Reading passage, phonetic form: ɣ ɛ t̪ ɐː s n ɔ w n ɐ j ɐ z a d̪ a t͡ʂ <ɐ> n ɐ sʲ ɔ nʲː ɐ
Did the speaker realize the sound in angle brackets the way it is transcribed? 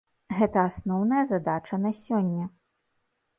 yes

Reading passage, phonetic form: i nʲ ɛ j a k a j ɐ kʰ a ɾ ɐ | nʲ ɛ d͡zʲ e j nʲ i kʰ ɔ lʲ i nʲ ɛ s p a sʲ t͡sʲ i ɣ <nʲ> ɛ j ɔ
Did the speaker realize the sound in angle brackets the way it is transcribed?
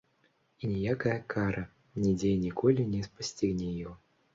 yes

